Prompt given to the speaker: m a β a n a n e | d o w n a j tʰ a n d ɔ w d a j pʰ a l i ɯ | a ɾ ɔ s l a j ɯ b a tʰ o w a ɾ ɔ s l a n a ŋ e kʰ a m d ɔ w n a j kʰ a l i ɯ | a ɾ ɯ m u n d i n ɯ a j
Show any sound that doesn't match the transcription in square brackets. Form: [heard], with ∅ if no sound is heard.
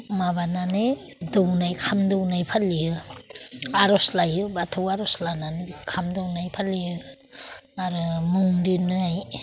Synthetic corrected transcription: m a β a n a n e | d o w n a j [kʰ] a [m] d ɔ w [n] a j pʰ a l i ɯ | a ɾ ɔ s l a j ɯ b a tʰ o w a ɾ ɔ s l a n a [n] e kʰ a m d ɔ w n a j [pʰ] a l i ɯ | a ɾ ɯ m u [ŋ] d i n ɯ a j